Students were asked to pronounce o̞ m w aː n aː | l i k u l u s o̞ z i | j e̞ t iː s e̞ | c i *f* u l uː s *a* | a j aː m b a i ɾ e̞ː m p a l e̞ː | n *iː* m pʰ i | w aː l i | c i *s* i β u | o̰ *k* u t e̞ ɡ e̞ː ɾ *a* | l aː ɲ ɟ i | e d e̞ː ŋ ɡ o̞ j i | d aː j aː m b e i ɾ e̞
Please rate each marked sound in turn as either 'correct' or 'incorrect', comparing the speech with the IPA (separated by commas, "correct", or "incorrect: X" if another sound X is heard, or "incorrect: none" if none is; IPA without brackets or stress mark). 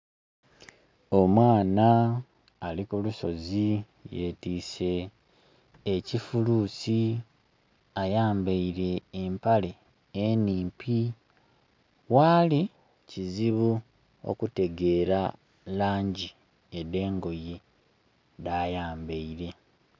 correct, incorrect: i, correct, incorrect: z, correct, correct